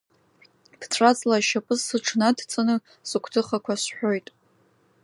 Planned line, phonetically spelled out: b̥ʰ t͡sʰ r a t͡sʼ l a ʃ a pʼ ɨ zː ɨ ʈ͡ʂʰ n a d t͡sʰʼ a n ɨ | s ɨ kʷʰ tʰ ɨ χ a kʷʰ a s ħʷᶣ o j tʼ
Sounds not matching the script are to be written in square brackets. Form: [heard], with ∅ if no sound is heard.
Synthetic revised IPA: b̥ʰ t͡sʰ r a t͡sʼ l a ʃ a pʼ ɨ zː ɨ ʈ͡ʂʰ n a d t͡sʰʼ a n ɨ | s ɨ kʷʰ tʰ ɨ χ a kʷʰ a s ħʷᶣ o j tʼ